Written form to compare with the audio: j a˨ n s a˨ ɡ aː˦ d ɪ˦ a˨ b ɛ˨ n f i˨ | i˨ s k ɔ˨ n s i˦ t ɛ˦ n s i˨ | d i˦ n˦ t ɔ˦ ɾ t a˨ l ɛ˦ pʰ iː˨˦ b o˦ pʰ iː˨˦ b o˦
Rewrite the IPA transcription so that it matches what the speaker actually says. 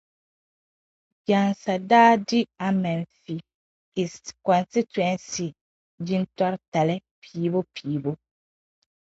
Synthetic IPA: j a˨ n s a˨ d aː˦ d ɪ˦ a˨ m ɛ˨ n f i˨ | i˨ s k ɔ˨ n s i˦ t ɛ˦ n s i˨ | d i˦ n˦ t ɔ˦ ɾ t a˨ l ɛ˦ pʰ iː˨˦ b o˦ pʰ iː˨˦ b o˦

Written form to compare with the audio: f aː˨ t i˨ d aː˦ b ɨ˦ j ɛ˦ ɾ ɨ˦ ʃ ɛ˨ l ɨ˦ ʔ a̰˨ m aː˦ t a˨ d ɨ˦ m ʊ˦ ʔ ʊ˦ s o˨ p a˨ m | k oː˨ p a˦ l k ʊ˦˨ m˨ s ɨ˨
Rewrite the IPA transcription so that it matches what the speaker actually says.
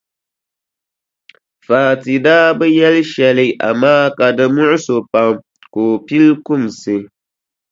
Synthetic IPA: f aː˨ t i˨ d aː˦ b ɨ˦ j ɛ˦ l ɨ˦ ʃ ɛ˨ l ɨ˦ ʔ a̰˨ m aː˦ k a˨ d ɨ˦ m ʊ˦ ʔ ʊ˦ s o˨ p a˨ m | k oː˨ p i˦ l k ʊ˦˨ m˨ s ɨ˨

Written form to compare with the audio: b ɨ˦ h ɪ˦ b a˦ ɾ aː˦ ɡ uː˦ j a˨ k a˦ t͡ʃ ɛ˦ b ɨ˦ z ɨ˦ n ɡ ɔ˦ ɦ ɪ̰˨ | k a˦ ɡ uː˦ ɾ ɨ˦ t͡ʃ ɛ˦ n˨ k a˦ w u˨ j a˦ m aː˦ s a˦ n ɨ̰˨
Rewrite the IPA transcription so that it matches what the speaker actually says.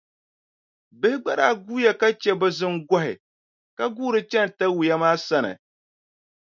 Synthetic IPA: b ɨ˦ h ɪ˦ ɡ͡b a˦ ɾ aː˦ ɡ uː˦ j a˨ k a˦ t͡ʃ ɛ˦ b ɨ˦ z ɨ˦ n ɡ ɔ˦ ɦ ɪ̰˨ | k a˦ ɡ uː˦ ɾ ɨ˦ t͡ʃ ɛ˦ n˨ t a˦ w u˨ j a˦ m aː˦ s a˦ n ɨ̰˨

